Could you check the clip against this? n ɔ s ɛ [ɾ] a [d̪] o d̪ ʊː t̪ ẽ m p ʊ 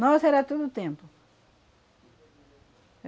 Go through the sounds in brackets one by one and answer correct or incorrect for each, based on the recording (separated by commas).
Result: correct, incorrect